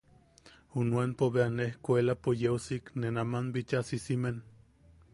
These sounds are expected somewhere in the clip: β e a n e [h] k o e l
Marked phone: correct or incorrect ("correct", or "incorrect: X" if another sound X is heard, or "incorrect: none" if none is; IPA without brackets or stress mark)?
correct